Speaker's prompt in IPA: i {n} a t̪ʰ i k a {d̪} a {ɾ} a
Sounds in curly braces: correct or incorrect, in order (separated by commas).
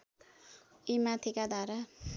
incorrect, correct, correct